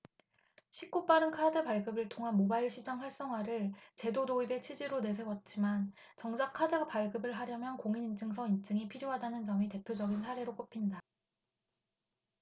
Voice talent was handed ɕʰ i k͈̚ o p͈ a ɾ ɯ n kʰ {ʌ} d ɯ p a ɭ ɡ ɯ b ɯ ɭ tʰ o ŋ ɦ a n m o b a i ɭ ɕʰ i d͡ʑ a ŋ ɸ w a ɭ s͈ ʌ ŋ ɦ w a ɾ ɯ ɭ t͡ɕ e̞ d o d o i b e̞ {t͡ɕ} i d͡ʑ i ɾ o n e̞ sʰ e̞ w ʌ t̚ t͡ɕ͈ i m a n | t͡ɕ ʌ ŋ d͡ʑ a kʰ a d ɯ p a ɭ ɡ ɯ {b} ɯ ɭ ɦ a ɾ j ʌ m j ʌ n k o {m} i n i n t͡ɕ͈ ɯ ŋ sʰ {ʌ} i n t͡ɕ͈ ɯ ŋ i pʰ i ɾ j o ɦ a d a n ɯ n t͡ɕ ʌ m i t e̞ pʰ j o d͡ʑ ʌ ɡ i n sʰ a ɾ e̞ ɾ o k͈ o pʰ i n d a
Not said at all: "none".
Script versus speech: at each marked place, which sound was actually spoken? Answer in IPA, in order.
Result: a, t͡ɕʰ, b, ŋ, ʌ

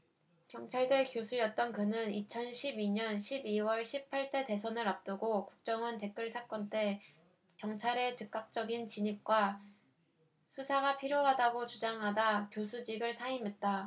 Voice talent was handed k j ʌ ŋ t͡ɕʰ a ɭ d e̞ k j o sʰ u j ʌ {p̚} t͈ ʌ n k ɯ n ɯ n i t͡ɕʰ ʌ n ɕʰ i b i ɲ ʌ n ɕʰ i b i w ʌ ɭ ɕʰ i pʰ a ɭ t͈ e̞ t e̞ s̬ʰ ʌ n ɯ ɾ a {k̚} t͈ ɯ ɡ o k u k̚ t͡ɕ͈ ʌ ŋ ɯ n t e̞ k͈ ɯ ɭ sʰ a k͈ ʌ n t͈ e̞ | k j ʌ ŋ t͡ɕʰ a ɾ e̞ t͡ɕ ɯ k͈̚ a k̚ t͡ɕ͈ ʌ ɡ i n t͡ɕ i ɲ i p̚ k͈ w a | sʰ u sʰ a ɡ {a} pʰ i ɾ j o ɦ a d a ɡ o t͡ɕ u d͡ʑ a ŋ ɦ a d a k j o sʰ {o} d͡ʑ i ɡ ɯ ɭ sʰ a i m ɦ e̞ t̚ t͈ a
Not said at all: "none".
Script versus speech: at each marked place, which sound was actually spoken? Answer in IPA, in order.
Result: t̚, p̚, a, u

